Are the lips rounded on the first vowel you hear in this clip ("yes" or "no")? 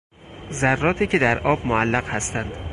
no